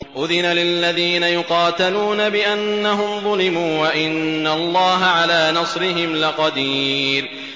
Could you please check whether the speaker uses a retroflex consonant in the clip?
no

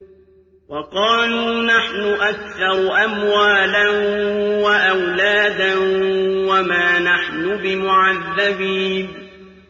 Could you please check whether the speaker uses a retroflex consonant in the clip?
no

